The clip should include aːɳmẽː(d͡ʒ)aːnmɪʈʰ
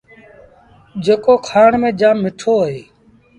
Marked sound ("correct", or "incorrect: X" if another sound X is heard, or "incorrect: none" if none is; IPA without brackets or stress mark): correct